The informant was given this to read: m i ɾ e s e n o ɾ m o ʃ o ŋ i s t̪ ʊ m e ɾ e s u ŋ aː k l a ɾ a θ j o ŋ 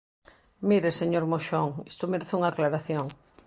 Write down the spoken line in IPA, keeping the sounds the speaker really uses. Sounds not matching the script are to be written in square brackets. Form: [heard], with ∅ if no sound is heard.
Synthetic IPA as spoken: m i ɾ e s e [ɲ] o ɾ m o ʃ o ŋ i s t̪ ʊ m e ɾ e [θ] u ŋ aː k l a ɾ a θ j o ŋ